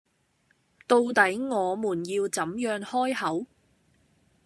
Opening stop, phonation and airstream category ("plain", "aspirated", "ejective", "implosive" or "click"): plain